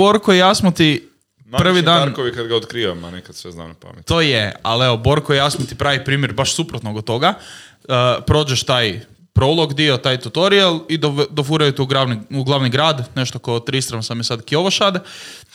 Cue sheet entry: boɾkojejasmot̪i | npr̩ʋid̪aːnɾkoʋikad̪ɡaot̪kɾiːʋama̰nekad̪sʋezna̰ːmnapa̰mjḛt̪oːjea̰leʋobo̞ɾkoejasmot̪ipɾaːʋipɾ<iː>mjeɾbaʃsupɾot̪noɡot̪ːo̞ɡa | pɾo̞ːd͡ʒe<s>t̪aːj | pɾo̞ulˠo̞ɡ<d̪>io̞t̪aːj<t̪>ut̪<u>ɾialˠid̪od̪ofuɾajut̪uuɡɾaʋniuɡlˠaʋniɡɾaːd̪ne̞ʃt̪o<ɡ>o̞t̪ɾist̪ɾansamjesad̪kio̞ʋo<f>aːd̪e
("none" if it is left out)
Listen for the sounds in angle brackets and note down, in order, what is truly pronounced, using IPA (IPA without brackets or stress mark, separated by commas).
iː, ʃ, d̪, t̪, o, k, ʃ